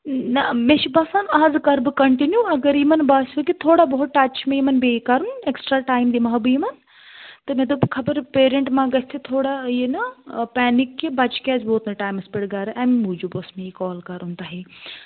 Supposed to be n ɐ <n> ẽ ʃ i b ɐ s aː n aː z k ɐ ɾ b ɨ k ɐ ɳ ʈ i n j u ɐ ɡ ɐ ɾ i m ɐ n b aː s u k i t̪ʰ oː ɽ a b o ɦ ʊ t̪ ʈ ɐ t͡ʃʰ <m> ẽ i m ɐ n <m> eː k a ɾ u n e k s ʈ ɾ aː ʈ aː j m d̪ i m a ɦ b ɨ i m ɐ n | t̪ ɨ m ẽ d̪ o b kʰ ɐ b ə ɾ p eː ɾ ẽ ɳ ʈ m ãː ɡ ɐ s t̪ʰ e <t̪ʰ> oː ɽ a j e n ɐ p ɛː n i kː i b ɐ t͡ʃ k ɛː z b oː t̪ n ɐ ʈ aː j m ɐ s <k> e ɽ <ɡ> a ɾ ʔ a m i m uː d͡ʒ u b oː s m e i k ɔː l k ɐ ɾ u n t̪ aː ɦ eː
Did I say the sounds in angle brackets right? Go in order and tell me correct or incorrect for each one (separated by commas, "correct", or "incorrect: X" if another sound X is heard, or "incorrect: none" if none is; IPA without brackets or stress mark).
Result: incorrect: m, correct, incorrect: b, correct, incorrect: p, correct